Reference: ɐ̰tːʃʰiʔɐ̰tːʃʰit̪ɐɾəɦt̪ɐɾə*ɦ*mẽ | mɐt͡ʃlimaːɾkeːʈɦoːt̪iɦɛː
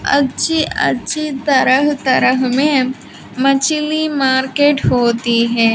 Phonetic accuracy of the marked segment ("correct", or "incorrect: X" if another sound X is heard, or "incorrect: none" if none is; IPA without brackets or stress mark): correct